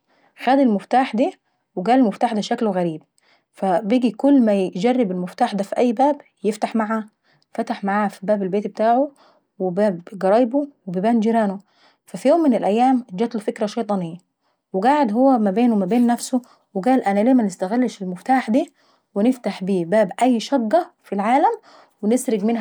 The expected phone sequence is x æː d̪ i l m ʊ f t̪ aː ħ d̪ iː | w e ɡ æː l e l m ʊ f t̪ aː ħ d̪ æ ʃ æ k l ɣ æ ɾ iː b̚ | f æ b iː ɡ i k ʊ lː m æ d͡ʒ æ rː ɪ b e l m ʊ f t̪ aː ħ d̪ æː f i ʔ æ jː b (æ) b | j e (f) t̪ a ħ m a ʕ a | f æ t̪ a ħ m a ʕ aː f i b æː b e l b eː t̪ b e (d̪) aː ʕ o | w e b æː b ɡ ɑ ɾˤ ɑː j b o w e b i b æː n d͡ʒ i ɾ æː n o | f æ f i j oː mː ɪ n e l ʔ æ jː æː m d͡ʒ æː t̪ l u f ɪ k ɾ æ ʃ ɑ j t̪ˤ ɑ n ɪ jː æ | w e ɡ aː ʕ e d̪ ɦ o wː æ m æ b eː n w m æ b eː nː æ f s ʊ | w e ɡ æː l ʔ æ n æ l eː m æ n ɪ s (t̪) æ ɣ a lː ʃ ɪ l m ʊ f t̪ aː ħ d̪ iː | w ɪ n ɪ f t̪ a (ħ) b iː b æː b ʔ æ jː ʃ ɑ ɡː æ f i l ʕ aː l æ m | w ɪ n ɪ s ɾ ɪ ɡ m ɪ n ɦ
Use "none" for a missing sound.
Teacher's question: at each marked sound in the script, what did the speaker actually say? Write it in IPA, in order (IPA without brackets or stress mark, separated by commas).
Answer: æː, f, t̪, t̪, ħ